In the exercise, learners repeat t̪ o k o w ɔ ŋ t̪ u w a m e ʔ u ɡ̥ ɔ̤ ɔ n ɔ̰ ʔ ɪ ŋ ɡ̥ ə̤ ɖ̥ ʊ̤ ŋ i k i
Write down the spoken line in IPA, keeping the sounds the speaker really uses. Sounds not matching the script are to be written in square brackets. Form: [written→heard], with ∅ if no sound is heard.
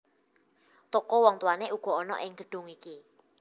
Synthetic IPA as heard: t̪ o k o w ɔ ŋ t̪ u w a [m→n] e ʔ u ɡ̥ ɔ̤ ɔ n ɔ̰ ʔ ɪ ŋ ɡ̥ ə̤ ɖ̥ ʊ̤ ŋ i k i